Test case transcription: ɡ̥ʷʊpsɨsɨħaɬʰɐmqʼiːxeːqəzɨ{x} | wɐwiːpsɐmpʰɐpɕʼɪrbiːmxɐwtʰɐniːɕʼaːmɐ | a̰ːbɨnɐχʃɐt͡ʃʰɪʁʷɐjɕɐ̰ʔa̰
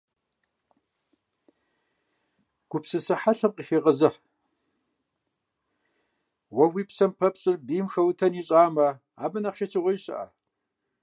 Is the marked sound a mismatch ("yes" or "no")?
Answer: yes